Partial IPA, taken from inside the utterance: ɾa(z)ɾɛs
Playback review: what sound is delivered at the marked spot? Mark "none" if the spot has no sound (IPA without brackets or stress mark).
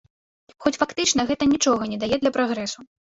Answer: ɣ